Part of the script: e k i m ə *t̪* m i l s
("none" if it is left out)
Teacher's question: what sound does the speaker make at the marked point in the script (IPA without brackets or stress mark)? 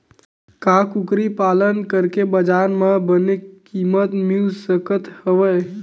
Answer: t̪